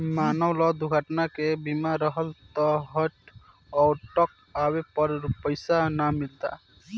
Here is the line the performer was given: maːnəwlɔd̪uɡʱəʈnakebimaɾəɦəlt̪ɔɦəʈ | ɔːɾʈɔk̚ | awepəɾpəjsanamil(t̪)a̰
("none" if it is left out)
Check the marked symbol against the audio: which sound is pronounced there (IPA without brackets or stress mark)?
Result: t̪